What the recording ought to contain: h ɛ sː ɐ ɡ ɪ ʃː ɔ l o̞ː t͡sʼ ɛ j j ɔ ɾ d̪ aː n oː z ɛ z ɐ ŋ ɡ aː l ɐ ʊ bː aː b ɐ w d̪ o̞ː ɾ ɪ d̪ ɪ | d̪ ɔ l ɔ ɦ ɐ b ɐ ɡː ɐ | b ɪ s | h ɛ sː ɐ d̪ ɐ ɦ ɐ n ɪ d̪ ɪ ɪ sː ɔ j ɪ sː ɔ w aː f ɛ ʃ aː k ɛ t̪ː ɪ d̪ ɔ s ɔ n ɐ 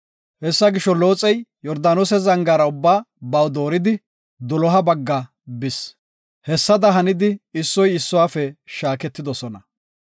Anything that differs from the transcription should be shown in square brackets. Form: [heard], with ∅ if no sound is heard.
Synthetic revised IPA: h ɛ sː ɐ ɡ ɪ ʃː ɔ l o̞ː t͡sʼ ɛ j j ɔ ɾ d̪ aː n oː [s] ɛ z ɐ ŋ ɡ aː [ɾ] ɐ ʊ bː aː b ɐ w d̪ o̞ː ɾ ɪ d̪ ɪ | d̪ ɔ l ɔ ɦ ɐ b ɐ ɡː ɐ | b ɪ s | h ɛ sː ɐ d̪ ɐ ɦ ɐ n ɪ d̪ ɪ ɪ sː ɔ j ɪ sː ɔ w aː f ɛ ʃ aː k ɛ t̪ː ɪ d̪ ɔ s ɔ n ɐ